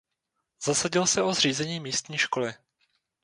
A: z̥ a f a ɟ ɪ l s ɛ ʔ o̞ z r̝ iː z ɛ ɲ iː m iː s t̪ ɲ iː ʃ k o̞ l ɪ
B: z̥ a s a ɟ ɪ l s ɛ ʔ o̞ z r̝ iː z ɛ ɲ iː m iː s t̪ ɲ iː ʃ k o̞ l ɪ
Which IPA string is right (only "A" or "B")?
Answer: B